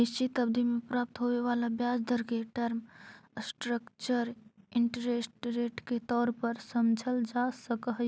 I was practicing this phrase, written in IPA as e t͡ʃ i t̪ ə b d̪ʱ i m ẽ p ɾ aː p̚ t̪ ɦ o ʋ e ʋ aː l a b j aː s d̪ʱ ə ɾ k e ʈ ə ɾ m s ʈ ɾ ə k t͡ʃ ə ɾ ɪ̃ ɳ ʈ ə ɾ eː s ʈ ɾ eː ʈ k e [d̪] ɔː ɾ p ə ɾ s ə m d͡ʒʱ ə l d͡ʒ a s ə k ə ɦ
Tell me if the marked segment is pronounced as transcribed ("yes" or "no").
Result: no